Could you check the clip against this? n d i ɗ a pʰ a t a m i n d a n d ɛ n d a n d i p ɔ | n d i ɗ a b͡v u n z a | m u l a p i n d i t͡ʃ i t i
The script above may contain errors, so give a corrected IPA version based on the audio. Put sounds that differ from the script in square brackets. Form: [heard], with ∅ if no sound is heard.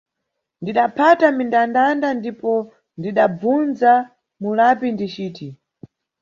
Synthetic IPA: n d i ɗ a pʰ a t a m i n d a n d [a] n d a n d i p ɔ | n d i ɗ a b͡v u n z a | m u l a p i n d i t͡ʃ [iː] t i